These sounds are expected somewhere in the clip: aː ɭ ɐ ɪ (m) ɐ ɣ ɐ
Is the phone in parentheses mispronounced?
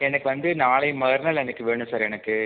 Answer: no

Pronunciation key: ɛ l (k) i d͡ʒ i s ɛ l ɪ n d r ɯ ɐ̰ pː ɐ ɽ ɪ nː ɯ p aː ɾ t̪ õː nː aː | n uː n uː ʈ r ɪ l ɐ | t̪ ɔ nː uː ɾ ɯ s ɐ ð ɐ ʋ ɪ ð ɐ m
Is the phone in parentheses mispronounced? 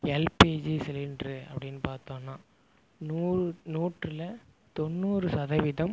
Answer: yes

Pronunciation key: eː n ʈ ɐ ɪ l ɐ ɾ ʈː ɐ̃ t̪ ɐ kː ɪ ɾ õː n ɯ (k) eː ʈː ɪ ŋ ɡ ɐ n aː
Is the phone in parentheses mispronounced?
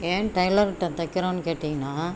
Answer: no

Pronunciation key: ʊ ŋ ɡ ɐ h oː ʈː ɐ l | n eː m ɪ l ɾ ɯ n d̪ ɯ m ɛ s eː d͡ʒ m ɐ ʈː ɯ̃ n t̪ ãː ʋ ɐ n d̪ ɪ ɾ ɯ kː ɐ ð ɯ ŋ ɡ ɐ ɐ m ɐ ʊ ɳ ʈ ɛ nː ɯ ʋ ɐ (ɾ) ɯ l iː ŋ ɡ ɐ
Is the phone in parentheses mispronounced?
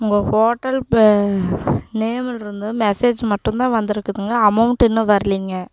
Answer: no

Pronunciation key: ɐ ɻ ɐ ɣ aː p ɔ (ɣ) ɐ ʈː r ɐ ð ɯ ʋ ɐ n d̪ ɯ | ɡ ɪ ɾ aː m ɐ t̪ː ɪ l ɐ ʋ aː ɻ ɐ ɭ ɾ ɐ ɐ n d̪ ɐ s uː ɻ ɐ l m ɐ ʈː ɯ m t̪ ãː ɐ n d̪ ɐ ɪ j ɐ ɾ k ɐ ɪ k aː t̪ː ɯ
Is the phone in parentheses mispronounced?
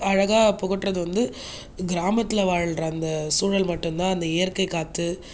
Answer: no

